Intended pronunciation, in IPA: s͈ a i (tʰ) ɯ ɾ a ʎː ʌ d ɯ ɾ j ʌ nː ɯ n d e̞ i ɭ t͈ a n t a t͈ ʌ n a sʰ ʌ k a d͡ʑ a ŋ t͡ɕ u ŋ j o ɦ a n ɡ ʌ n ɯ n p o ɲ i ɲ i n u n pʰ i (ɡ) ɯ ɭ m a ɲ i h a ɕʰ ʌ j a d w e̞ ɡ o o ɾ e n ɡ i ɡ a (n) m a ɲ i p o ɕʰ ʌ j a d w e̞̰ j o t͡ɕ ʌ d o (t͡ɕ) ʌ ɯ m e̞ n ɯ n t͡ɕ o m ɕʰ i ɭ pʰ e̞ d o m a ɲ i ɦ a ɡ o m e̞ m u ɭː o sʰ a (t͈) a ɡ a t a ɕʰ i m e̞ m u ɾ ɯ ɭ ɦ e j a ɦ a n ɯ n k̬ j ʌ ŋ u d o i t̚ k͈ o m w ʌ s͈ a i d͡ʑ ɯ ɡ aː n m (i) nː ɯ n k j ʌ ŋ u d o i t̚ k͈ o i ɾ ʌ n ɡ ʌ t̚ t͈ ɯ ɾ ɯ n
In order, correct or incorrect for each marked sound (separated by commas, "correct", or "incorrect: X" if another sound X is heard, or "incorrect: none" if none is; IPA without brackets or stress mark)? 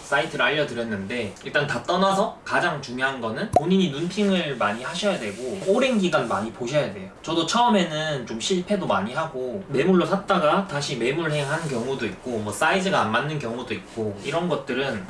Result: correct, incorrect: ŋ, correct, incorrect: t͡ɕʰ, correct, incorrect: a